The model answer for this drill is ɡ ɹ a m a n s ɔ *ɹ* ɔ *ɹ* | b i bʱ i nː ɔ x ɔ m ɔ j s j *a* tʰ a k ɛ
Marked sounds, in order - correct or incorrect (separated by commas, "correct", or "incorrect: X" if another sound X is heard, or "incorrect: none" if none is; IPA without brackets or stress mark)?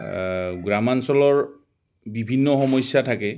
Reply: incorrect: l, correct, correct